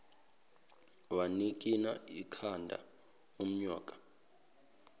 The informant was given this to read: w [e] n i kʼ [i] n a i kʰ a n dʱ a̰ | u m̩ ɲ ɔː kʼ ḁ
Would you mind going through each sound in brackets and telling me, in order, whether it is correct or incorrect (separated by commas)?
incorrect, correct